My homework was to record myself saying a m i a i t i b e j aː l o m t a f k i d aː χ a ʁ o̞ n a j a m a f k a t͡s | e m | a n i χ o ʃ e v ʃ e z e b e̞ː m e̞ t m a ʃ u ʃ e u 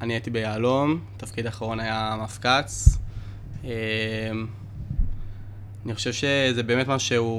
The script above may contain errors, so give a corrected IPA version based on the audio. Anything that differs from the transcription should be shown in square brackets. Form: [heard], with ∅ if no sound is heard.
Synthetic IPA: a [n] i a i t i b e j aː l o m t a f k i d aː χ a ʁ o̞ n a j a m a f k a t͡s | e m | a n i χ o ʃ e v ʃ e z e b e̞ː m e̞ t m a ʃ u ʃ e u